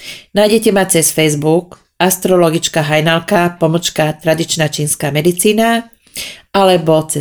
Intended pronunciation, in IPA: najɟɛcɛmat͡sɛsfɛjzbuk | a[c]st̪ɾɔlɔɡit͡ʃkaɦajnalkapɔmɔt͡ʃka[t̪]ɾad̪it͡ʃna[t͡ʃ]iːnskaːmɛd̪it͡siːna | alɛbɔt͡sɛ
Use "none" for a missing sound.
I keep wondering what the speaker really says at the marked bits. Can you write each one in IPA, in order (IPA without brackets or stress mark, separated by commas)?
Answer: none, t̪, t͡ʃ